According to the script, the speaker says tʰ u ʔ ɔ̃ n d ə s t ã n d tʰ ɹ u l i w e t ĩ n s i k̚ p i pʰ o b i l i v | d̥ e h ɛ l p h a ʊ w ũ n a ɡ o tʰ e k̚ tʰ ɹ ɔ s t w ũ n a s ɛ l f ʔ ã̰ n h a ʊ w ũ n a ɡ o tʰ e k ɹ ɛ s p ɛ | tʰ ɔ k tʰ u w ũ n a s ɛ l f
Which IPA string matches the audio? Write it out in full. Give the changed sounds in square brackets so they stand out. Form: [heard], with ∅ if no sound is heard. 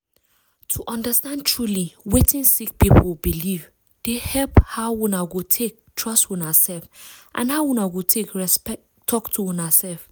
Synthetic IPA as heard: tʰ u ʔ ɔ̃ n d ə s t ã n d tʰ ɹ u l i w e t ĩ n s i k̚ p i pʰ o b i l i v | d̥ e h ɛ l p h a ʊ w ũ n a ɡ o tʰ e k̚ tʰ ɹ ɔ s t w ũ n a s ɛ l f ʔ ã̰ n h a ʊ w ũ n a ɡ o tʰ e k ɹ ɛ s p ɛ | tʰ ɔ k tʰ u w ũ n a s ɛ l f